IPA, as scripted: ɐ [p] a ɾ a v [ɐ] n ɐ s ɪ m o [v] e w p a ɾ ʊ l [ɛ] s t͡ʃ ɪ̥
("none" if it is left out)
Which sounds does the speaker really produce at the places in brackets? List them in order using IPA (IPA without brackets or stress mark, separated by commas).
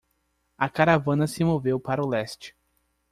k, ɐ̃, v, ɛ